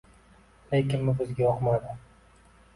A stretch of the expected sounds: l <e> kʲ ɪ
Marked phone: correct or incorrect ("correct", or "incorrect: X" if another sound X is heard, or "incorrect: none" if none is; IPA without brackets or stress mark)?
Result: correct